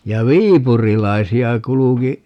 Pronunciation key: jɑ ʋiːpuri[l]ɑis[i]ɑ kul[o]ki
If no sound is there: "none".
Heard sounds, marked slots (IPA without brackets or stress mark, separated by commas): l, i, u